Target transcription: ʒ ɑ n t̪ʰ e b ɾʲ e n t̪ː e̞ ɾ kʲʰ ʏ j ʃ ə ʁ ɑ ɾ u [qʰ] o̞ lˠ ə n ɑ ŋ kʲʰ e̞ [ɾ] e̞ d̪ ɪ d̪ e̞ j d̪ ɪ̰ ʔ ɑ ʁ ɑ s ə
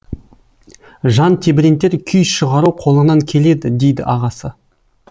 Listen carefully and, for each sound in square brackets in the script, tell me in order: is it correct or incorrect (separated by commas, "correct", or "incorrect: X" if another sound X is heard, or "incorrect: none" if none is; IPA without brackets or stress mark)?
correct, incorrect: l